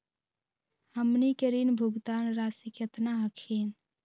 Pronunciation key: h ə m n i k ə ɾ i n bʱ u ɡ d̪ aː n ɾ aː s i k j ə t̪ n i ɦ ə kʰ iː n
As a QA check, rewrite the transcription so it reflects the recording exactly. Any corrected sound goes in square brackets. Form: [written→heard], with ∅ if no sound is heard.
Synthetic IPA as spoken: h ə m n i k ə ɾ i n bʱ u ɡ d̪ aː n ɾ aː s i k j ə t̪ n [i→a] ɦ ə kʰ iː n

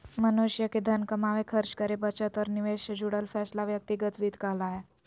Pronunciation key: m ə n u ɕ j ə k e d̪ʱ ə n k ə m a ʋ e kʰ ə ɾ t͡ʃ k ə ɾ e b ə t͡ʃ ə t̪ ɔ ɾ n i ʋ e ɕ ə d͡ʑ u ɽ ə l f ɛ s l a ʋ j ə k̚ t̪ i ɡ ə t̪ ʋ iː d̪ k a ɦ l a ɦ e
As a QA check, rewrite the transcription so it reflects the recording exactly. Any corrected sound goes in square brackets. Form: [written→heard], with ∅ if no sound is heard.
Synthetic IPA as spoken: m ə n u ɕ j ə k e d̪ʱ ə n k ə m a ʋ e kʰ ə ɾ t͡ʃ k ə ɾ e b ə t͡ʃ ə t̪ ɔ ɾ n i ʋ e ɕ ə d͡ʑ u ɽ ə l f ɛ s l a ʋ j ə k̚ t̪ i ɡ ə t̪ ʋ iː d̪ k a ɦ l a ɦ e

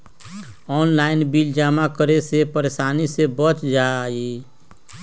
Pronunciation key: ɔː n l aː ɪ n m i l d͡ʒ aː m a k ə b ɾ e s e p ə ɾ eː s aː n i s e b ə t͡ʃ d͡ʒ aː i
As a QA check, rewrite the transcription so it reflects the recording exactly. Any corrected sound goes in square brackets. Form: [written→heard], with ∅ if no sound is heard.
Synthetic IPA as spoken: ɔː n l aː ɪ n [m→b] i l d͡ʒ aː m a k ə [b→∅] ɾ e s e p ə ɾ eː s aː n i s e b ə t͡ʃ d͡ʒ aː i

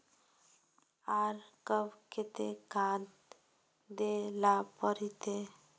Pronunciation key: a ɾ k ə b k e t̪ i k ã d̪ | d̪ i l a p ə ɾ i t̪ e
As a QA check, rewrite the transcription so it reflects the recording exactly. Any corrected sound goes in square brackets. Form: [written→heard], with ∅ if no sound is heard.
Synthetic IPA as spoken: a ɾ k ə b k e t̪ [i→e] k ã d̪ | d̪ [i→e] l a p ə ɾ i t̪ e

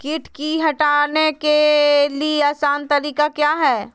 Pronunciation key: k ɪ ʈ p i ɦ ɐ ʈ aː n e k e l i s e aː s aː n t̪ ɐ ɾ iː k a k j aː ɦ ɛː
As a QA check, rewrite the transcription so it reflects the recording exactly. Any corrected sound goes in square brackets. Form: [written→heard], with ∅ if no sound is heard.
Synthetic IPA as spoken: k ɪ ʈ [p→k] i ɦ ɐ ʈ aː n e k e l i [s→∅] e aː s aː n t̪ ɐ ɾ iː k a k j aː ɦ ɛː

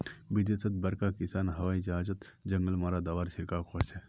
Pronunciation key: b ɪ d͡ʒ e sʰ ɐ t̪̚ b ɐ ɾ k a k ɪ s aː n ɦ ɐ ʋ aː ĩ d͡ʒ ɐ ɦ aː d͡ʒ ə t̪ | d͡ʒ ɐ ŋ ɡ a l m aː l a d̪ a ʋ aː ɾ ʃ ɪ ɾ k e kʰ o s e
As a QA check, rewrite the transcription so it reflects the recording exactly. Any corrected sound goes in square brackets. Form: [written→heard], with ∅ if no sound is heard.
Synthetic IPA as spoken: b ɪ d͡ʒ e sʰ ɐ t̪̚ b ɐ ɾ k a k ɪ s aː n ɦ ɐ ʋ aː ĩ d͡ʒ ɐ ɦ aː d͡ʒ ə t̪ | d͡ʒ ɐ ŋ ɡ [a→ə] l m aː [l→ɾ] a d̪ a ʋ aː ɾ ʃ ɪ ɾ k [e→a] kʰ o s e

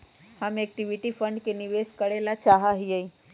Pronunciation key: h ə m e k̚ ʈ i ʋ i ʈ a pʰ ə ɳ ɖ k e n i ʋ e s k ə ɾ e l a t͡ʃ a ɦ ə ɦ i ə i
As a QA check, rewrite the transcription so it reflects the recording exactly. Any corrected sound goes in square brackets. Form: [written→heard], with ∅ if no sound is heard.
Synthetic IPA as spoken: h ə m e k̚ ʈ i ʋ i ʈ [a→i] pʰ ə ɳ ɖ k e n i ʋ e s k ə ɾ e l a t͡ʃ a ɦ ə ɦ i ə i

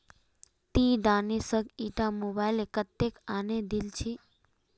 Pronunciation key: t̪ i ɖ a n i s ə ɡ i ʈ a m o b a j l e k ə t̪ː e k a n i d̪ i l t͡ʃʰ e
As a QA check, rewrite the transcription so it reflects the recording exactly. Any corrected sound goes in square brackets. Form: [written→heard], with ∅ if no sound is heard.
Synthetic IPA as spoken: t̪ i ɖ a n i s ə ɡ i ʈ a m o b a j l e k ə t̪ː e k a n [i→e] d̪ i l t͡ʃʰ [e→i]

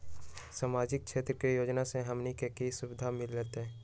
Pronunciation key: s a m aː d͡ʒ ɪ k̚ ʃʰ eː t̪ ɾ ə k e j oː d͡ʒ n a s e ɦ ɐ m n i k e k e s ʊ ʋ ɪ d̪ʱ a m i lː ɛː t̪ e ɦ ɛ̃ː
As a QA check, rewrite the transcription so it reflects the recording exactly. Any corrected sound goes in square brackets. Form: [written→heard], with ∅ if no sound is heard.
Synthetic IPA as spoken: s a m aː d͡ʒ ɪ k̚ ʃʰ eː t̪ ɾ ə k e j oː d͡ʒ n a s e ɦ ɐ m n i k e k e s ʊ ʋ ɪ d̪ʱ a m [i→ɪ] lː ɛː t̪ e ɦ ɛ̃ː

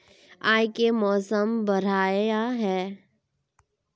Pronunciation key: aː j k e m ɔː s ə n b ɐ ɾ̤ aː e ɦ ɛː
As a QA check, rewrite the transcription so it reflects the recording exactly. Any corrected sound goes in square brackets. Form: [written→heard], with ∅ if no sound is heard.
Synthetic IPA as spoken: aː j k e m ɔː s ə [n→m] b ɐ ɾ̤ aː [e→a] ɦ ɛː

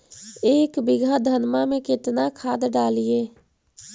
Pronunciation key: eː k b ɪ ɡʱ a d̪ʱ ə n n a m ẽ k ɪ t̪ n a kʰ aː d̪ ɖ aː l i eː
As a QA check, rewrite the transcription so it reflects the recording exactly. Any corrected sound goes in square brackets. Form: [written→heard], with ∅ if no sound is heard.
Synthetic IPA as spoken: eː k b ɪ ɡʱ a d̪ʱ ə n [n→m] a m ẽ k ɪ t̪ n a kʰ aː d̪ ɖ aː l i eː

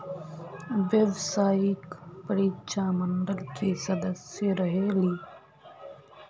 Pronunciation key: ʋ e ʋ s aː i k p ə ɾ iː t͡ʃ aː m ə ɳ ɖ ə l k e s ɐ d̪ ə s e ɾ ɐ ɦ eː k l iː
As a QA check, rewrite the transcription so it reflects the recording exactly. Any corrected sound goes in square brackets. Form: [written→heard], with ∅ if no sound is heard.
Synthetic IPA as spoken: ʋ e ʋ s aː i k p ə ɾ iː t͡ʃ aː m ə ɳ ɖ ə l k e s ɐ d̪ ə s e ɾ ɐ ɦ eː [k→∅] l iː

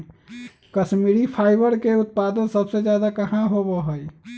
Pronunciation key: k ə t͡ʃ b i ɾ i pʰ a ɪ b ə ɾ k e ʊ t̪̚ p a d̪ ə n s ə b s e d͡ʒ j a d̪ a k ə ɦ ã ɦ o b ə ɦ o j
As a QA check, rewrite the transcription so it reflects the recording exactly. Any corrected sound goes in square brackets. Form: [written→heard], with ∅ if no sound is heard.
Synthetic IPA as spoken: k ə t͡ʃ [b→m] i ɾ i pʰ a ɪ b ə ɾ k e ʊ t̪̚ p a d̪ ə n s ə b s e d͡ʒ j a d̪ a k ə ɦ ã ɦ o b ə ɦ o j

